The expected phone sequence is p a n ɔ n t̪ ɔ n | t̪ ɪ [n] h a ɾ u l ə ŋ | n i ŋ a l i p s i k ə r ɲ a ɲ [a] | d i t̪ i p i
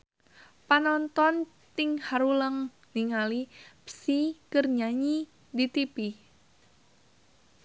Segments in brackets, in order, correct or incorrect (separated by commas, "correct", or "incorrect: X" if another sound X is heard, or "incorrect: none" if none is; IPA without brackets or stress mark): incorrect: ŋ, incorrect: i